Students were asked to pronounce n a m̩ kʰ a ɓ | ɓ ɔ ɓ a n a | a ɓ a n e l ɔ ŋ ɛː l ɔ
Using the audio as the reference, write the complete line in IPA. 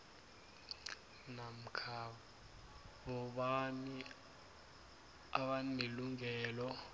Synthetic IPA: n a m̩ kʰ a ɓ | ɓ ɔ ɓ a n i | a ɓ a n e l u ŋ ɛː l ɔ